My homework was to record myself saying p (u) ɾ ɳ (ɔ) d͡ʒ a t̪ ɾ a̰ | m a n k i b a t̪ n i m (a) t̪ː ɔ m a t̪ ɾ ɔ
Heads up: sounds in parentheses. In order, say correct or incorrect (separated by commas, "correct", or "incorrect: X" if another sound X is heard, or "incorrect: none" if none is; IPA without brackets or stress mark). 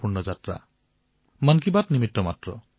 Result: correct, correct, incorrect: i